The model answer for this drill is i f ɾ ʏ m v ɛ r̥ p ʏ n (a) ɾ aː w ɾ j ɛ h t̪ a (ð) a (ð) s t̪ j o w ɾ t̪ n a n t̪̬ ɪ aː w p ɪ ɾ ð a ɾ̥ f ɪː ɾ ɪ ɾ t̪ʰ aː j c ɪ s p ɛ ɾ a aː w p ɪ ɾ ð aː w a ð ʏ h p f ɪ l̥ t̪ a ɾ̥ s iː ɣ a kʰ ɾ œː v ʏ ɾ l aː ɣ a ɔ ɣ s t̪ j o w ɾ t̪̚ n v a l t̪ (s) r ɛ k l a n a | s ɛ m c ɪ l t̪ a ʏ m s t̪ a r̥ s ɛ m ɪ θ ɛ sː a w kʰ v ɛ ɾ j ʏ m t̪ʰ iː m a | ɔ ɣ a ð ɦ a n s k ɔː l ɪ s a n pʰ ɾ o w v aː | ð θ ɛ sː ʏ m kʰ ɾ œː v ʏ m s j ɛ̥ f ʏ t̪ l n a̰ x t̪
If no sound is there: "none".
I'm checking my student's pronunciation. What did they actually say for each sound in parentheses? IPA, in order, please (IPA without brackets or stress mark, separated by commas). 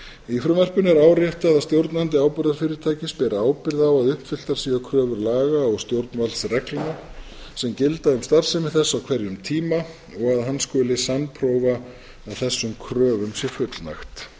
ɛ, ð, ð, s